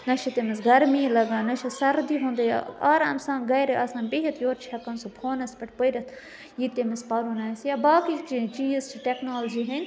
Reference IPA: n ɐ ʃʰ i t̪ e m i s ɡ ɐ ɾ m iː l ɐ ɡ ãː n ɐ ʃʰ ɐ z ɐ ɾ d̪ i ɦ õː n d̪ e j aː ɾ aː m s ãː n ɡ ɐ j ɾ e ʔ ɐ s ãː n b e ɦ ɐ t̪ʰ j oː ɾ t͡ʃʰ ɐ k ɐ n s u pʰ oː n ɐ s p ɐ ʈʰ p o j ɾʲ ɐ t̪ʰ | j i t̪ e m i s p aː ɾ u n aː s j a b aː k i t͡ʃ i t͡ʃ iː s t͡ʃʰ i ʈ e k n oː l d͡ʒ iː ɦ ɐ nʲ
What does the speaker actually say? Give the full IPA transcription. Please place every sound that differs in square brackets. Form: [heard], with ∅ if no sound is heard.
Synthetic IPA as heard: n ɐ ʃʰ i t̪ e m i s ɡ ɐ ɾ m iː l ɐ ɡ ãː n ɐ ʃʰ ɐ [s] ɐ ɾ d̪ i ɦ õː n d̪ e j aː ɾ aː m s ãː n ɡ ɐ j ɾ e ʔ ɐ s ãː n b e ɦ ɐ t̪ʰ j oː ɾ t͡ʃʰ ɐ k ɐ n s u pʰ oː n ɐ s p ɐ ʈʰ p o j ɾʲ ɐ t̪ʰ | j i t̪ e m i s p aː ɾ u n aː s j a b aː k i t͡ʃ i t͡ʃ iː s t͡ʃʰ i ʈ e k n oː l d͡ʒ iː ɦ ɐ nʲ